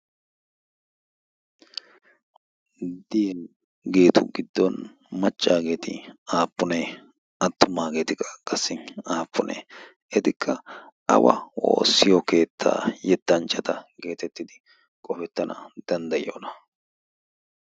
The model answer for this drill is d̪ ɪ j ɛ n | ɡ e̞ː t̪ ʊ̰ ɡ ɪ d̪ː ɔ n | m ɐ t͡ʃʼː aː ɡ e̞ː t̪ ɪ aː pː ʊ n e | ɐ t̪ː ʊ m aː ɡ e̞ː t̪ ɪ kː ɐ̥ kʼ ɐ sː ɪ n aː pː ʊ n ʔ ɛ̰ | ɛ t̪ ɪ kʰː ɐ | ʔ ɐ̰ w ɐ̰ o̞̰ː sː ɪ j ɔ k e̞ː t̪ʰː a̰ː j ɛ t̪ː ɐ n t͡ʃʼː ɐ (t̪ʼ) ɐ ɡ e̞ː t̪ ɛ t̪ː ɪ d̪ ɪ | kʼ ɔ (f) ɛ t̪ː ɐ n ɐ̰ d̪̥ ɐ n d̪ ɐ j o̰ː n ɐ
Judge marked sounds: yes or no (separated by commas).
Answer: no, yes